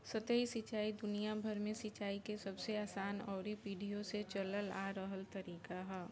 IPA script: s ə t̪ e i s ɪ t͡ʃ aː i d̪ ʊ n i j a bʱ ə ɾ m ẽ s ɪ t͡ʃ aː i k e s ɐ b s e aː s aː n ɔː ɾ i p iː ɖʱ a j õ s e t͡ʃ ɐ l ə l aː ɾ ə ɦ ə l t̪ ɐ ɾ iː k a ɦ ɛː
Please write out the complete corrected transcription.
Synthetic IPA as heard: s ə t̪ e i s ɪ t͡ʃ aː i d̪ ʊ n i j a bʱ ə ɾ m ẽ s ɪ t͡ʃ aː i k e s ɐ b s e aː s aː n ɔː ɾ i p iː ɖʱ i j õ s e t͡ʃ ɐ l ə l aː ɾ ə ɦ ə l t̪ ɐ ɾ iː k a ɦ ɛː